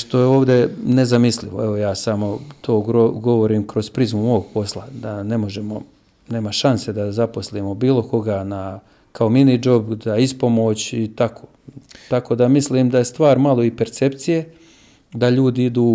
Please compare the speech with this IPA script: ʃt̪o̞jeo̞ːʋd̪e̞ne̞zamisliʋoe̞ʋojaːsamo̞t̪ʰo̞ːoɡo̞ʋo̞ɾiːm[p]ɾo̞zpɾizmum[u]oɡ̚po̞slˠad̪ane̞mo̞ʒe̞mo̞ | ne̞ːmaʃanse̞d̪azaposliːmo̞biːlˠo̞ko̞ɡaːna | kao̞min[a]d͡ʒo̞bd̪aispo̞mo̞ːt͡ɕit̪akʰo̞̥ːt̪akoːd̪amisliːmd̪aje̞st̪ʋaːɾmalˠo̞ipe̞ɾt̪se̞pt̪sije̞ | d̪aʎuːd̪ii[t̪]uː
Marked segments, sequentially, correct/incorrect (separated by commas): incorrect, incorrect, incorrect, incorrect